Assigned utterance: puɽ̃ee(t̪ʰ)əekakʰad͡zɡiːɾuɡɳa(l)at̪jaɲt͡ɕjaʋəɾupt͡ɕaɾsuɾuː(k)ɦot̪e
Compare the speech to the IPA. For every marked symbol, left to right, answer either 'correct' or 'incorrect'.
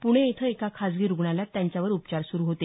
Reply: correct, correct, incorrect: none

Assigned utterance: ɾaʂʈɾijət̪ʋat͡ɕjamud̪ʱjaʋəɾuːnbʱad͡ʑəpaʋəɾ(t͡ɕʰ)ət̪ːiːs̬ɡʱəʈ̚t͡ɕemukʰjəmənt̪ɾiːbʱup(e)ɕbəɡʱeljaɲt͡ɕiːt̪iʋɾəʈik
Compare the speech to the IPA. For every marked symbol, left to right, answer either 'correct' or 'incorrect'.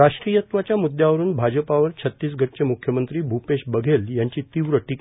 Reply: correct, correct

